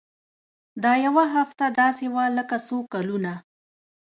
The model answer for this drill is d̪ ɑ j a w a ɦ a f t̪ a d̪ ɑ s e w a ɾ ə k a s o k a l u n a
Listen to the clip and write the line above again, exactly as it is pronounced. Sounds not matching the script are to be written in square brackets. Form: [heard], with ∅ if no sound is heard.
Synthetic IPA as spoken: d̪ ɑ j a w a ɦ a f t̪ a d̪ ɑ s e w a [l] ə k a s o k a l u n a